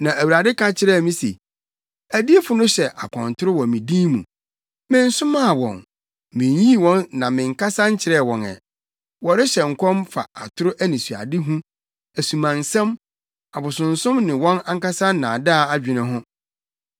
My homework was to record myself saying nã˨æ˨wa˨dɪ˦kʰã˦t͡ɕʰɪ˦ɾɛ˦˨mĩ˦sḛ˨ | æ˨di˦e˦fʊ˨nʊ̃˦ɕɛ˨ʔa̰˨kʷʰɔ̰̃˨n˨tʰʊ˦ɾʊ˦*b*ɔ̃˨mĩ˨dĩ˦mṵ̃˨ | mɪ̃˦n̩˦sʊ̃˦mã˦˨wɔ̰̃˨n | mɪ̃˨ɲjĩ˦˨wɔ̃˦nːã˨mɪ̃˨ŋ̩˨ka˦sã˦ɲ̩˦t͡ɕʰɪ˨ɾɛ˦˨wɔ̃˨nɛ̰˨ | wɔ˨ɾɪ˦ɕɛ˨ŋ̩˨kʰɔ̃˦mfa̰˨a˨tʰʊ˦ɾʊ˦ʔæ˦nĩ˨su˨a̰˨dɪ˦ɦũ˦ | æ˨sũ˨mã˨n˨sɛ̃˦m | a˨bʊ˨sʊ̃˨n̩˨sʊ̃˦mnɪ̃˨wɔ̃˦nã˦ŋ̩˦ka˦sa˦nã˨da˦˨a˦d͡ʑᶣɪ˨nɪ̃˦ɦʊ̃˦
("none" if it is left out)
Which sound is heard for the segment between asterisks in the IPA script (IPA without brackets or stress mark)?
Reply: w